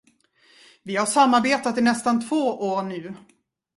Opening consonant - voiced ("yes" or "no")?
yes